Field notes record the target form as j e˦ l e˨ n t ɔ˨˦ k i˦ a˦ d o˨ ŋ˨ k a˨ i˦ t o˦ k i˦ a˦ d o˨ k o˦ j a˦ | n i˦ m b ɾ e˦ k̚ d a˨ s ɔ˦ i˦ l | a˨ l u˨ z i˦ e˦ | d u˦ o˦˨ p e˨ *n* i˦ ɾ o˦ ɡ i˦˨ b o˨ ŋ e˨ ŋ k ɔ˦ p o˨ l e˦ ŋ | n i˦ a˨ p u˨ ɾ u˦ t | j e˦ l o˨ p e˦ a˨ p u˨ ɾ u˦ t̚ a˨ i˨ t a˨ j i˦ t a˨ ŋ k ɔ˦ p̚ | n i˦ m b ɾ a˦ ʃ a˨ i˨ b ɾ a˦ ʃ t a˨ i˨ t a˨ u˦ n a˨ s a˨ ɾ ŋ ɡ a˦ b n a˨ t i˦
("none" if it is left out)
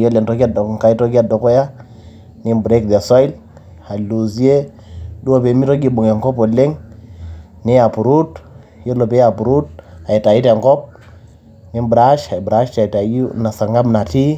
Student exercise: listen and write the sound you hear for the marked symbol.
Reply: m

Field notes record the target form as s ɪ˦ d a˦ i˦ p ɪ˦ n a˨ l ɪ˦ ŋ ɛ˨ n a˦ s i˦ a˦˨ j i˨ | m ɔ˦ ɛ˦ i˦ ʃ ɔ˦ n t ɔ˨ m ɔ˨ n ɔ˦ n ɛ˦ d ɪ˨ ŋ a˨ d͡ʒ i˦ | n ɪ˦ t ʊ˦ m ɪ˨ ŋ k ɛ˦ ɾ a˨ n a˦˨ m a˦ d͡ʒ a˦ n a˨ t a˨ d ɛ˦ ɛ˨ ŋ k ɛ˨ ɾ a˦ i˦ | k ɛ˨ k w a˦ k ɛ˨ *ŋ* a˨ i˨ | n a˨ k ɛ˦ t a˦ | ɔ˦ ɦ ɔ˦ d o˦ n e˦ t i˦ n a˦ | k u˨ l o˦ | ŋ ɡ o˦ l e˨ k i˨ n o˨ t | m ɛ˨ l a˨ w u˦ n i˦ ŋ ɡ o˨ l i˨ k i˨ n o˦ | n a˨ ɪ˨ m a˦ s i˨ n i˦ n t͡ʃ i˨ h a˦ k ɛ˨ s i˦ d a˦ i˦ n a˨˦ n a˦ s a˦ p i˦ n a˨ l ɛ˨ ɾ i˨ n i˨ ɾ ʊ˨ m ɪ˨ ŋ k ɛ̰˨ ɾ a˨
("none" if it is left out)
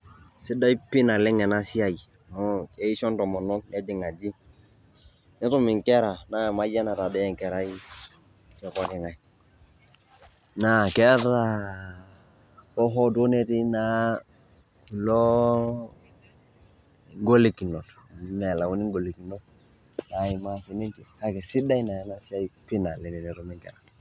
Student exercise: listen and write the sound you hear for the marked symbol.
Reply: ŋ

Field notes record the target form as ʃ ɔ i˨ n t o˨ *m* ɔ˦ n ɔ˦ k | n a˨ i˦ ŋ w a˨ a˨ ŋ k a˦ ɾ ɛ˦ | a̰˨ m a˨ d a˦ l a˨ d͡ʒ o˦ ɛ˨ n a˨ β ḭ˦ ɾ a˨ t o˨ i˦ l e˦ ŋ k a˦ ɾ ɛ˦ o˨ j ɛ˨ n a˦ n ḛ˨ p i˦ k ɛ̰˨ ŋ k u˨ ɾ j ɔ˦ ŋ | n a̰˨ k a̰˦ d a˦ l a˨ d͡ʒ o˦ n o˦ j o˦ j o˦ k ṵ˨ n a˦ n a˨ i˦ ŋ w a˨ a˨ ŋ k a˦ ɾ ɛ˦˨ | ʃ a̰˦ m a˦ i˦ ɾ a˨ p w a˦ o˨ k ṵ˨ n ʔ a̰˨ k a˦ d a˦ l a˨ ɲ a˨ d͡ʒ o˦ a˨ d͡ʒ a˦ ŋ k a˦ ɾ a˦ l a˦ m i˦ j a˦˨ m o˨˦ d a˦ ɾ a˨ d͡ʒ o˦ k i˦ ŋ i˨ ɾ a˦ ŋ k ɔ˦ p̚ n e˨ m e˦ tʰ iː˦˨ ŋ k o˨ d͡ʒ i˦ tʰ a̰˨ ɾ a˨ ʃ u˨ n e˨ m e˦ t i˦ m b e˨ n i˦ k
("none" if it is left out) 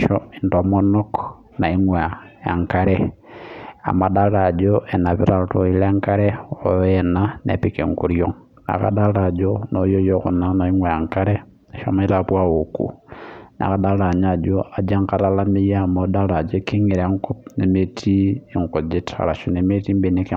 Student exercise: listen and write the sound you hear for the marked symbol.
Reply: m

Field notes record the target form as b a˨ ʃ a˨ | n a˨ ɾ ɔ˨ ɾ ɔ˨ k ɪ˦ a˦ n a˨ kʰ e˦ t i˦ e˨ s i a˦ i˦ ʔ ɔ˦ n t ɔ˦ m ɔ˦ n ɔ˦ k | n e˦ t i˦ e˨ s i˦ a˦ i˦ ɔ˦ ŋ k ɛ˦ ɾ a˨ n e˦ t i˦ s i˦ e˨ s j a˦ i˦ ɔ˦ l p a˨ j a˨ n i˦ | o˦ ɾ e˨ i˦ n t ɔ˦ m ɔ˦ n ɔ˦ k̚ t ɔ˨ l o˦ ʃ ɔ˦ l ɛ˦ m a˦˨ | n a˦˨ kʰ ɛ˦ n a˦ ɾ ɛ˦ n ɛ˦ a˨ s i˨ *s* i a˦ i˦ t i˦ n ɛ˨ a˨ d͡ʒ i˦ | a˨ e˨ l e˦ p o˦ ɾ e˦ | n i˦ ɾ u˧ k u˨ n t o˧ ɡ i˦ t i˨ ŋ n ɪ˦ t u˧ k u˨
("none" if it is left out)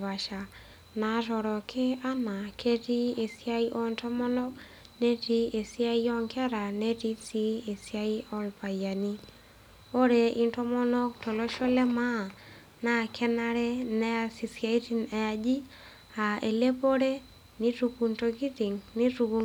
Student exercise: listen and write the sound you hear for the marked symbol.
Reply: s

